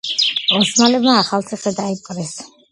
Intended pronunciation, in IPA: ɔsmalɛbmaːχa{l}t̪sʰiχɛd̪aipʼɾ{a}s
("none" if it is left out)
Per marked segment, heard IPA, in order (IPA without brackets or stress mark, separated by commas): l, ɛ